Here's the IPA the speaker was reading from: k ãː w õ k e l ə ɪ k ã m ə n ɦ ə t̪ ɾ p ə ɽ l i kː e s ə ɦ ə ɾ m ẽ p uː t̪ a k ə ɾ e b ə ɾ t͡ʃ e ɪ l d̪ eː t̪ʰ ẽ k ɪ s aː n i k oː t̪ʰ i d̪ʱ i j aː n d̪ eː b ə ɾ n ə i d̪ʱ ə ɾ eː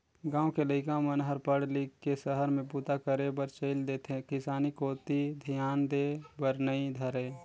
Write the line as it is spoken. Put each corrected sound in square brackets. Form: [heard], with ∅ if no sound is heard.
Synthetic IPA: [ɡ] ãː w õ k e l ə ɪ k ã m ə n ɦ ə [∅] ɾ p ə ɽ l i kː e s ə ɦ ə ɾ m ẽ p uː t̪ a k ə ɾ e b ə ɾ t͡ʃ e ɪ l d̪ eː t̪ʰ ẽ k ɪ s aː n i k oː [t̪] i d̪ʱ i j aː n d̪ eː b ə ɾ n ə i d̪ʱ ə ɾ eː